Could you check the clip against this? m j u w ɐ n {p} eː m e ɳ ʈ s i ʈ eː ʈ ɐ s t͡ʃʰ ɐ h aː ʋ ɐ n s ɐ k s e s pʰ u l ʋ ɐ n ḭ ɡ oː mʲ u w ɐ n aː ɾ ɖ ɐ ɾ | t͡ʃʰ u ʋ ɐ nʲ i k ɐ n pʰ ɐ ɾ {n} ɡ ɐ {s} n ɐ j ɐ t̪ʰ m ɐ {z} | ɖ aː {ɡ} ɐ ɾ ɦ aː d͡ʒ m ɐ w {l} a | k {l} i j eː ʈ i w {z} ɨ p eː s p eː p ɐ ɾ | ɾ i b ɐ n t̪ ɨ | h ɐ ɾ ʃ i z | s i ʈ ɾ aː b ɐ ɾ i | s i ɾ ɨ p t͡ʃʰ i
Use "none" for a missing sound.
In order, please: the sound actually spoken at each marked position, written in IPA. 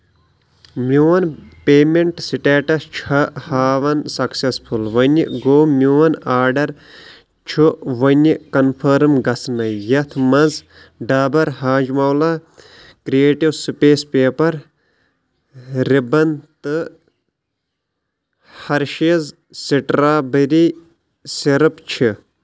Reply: p, m, s, z, b, l, ɾ, s

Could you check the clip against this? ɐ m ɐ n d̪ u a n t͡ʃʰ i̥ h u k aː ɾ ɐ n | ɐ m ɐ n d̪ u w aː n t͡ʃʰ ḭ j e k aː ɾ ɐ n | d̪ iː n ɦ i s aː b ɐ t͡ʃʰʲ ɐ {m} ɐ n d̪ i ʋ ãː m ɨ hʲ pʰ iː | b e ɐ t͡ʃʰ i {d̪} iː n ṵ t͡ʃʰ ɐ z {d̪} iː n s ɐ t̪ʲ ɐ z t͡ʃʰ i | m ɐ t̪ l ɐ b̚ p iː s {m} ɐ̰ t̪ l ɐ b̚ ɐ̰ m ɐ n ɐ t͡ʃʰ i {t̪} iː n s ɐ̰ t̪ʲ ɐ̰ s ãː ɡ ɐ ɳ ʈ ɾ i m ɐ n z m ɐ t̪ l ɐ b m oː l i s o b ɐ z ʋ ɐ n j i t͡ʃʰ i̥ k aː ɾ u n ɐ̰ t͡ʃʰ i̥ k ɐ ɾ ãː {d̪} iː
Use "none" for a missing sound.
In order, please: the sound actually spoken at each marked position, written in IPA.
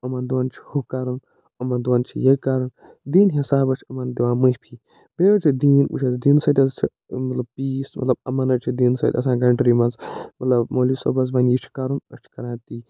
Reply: m, d̪, d̪, m, d̪, t̪

